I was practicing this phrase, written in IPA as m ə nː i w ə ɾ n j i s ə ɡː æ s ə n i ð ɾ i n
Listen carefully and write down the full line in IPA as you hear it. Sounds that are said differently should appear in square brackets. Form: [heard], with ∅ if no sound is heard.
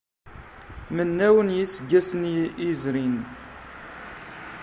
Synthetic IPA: m ə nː [æ] w ə [∅] n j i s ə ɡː æ s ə n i [z] ɾ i n